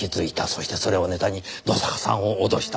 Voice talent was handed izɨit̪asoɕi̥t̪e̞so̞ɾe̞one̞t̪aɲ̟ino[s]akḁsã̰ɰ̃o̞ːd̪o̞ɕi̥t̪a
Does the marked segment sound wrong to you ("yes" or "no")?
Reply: no